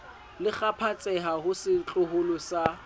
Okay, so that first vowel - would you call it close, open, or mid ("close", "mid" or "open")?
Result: close